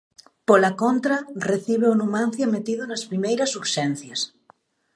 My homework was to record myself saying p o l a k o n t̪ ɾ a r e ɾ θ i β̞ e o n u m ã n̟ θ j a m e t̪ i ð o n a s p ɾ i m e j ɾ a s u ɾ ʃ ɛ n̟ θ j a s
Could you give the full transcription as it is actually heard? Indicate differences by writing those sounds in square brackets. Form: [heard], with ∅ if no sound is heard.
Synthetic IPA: p o l a k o n t̪ ɾ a r e [∅] θ i β̞ e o n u m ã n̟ θ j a m e t̪ i ð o n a s p ɾ i m e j ɾ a s u ɾ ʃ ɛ n̟ θ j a s